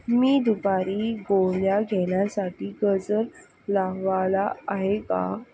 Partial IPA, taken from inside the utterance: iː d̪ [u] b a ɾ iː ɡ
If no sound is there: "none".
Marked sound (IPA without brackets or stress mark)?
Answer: u